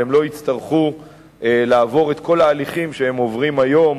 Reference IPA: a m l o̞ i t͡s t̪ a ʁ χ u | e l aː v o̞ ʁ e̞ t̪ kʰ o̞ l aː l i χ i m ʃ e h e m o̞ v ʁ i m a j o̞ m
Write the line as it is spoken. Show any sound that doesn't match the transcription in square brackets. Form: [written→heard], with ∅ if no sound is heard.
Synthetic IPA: [a→e] m l o̞ i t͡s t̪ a ʁ χ u | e l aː v o̞ ʁ e̞ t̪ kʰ o̞ l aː l i χ i m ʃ e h e m o̞ v ʁ i m a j o̞ m